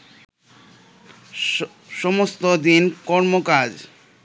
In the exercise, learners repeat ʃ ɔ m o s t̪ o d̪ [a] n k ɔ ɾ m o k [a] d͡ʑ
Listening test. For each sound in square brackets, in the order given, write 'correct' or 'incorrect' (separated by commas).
incorrect, correct